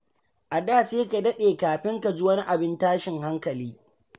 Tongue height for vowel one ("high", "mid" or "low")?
low